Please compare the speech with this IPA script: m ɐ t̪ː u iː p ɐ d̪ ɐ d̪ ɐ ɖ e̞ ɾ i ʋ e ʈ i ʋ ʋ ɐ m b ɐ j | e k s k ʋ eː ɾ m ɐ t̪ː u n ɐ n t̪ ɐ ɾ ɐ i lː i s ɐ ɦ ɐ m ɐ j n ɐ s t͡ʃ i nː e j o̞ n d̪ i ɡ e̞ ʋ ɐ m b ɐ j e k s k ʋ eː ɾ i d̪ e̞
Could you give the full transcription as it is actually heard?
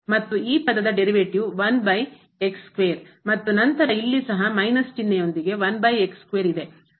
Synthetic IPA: m ɐ t̪ː u iː p ɐ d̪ ɐ d̪ ɐ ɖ e̞ ɾ i ʋ e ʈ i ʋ ʋ ɐ n b ɐ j | e k s k ʋ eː ɾ m ɐ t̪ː u n ɐ n t̪ ɐ ɾ ɐ i lː i s ɐ ɦ ɐ m ɐ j n ɐ s t͡ʃ i nː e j o̞ n d̪ i ɡ e̞ ʋ ɐ n b ɐ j e k s k ʋ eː ɾ i d̪ e̞